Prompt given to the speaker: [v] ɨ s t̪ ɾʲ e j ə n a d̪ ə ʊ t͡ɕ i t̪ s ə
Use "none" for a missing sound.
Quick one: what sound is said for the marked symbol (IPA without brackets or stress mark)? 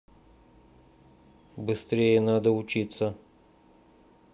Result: b